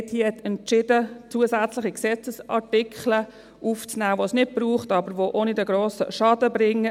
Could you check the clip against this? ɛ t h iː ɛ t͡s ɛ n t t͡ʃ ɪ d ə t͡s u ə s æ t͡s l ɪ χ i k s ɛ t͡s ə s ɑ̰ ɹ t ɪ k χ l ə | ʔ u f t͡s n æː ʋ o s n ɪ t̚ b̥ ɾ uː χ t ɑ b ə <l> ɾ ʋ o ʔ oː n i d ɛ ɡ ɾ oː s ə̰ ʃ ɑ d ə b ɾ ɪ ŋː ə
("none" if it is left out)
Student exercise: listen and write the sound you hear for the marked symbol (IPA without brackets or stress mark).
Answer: none